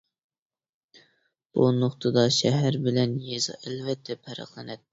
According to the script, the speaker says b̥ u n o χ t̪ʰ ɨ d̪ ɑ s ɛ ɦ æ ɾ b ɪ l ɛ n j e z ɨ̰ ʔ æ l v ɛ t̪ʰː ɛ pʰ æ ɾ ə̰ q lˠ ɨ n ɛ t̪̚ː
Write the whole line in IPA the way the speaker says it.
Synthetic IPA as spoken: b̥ u n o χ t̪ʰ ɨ d̪ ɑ ʃ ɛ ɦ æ ɾ b ɪ l ɛ n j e z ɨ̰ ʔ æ l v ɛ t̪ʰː ɛ pʰ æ ɾ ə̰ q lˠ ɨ n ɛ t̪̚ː